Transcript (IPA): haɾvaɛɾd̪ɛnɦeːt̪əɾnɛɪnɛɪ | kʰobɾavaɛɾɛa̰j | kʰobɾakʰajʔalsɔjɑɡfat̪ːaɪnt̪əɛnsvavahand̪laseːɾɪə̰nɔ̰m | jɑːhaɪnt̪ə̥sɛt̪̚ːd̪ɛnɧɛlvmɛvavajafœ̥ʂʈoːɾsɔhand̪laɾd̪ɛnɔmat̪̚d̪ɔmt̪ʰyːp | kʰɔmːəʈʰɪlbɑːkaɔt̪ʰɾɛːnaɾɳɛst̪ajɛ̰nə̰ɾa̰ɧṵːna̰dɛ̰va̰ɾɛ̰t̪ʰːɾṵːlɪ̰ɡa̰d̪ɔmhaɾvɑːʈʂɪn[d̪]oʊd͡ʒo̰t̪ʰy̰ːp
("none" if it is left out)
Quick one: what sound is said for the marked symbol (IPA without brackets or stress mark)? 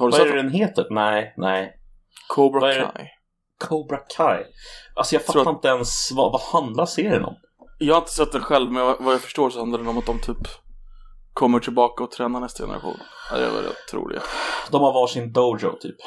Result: d̪